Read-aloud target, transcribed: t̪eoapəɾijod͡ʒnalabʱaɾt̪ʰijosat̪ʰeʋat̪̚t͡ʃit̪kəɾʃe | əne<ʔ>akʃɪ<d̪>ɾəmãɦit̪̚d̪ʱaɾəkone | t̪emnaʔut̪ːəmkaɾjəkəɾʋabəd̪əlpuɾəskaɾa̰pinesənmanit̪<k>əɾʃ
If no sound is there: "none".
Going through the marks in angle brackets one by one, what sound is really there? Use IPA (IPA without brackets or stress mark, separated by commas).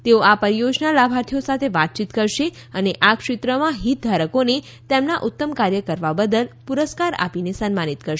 ʔ, t̪, k